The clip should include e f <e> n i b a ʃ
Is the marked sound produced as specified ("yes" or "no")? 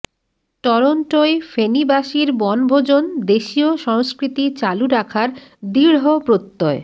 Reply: yes